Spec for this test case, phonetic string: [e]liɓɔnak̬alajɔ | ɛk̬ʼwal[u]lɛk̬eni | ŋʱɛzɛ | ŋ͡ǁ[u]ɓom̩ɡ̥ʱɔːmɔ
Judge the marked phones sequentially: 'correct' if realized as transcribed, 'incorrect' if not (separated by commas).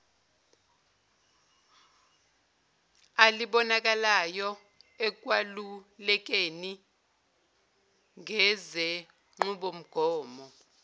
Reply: incorrect, correct, correct